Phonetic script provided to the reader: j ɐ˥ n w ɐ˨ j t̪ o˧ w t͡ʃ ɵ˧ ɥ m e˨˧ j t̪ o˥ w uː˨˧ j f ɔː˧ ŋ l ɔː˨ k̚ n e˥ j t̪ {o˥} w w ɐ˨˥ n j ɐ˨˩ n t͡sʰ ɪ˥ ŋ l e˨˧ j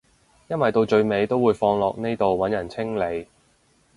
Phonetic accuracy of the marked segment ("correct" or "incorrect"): incorrect